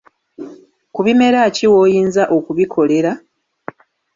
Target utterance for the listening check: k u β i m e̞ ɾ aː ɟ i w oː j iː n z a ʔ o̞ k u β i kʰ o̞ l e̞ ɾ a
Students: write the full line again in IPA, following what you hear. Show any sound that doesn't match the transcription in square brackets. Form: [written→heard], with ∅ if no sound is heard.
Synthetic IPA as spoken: k u β i m e̞ ɾ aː [ɟ→c] i w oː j iː n z a ʔ o̞ k u β i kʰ o̞ l e̞ ɾ a